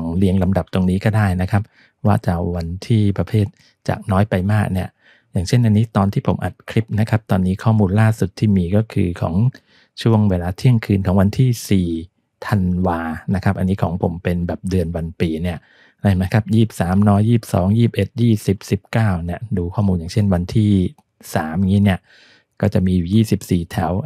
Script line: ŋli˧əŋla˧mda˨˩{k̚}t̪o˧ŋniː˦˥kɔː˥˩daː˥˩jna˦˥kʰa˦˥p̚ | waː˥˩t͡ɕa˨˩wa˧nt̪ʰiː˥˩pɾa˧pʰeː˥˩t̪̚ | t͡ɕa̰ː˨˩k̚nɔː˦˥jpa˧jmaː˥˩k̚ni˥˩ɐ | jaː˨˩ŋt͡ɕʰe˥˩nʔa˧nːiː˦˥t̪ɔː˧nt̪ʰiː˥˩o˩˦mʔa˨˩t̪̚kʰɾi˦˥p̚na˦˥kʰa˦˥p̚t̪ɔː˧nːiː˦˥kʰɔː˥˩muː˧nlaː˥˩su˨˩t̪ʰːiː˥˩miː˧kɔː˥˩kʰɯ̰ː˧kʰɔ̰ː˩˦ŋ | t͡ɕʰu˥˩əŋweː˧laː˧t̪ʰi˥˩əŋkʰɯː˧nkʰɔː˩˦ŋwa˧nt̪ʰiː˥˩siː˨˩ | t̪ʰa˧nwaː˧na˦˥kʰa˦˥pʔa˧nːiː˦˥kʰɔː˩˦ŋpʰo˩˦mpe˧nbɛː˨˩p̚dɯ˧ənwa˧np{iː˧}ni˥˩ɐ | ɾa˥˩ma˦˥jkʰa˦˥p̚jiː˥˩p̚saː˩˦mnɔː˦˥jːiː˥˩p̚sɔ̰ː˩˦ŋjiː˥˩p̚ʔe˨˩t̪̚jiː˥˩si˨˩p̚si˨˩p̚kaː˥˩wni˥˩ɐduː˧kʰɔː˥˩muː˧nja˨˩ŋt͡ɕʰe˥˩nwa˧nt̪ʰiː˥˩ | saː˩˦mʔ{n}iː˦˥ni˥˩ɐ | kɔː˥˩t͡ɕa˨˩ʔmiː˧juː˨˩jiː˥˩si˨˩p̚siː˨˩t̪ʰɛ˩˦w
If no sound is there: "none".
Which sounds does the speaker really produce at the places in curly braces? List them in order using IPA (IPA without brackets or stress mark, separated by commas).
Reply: p̚, iː˧, ŋ